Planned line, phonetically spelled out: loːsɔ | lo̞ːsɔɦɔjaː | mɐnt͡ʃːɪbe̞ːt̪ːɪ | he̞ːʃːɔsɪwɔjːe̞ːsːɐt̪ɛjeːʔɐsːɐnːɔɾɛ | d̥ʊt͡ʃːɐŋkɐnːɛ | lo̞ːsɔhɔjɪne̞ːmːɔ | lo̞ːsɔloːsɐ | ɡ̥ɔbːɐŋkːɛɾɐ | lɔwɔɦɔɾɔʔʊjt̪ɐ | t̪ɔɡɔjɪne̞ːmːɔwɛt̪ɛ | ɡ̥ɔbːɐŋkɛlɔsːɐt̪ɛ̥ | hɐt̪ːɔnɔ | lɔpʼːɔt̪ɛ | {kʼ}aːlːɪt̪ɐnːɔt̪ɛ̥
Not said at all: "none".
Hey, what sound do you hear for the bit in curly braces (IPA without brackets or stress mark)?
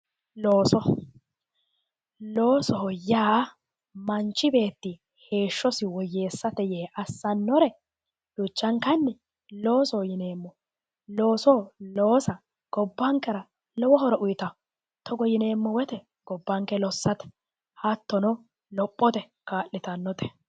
k